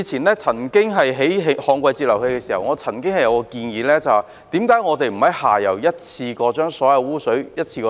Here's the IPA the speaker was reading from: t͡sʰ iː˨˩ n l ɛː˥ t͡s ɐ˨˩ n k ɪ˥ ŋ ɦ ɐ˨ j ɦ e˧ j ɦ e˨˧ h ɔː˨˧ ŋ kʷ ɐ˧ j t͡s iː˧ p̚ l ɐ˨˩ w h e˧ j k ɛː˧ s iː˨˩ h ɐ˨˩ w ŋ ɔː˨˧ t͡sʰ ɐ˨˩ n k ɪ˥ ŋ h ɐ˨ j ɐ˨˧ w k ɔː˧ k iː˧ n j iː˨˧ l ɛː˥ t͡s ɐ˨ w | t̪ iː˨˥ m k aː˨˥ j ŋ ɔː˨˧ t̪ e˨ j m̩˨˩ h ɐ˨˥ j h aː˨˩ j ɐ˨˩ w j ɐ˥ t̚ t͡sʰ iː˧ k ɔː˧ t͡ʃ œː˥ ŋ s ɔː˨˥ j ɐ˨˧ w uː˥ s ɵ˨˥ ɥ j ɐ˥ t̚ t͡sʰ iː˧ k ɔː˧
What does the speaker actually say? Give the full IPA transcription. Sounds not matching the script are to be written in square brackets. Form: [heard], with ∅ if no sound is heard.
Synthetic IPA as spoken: t͡sʰ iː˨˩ n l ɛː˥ [t͡sʰ] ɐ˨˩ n k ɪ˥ ŋ ɦ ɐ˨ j ɦ [e˨˥] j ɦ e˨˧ h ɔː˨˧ ŋ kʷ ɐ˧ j t͡s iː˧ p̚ l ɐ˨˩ w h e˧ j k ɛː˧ s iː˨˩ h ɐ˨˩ w ŋ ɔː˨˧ t͡sʰ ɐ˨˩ n k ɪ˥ ŋ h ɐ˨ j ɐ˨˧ w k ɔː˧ k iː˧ n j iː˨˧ l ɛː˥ t͡s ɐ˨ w | t̪ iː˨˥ m k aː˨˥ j ŋ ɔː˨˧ t̪ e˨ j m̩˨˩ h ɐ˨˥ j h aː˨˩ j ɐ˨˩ w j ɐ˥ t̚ t͡sʰ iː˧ k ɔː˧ t͡ʃ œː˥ ŋ s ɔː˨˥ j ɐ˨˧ w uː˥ s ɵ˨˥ ɥ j ɐ˥ t̚ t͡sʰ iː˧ k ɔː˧